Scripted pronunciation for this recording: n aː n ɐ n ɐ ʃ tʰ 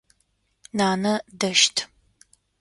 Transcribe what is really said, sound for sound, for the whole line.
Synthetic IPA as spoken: n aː n ɐ d ɐ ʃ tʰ